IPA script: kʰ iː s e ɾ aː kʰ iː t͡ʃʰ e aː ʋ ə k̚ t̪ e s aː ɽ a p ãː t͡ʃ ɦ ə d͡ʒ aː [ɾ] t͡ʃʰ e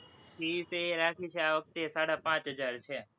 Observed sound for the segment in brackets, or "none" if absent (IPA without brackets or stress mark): ɾ